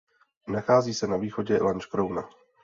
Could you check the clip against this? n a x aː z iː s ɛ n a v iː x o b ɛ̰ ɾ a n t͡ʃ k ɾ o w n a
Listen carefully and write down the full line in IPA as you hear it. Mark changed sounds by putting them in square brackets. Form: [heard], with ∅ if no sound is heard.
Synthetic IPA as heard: n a x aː z iː s ɛ n a v iː x o [ɟ] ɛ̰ [l] a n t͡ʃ k ɾ o w n a